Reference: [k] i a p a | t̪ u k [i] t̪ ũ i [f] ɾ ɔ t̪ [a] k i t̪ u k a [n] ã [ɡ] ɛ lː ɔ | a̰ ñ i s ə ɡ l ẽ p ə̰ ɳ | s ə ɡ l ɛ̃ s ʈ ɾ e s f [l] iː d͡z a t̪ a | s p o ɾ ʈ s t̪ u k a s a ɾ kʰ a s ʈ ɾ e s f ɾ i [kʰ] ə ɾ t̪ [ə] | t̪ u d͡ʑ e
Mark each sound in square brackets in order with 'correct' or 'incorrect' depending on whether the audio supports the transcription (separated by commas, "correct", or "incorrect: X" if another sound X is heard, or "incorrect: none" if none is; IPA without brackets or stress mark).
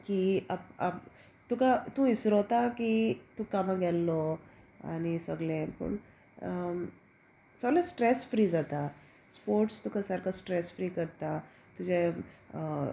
correct, incorrect: a, incorrect: s, correct, incorrect: m, correct, incorrect: ɾ, incorrect: k, incorrect: a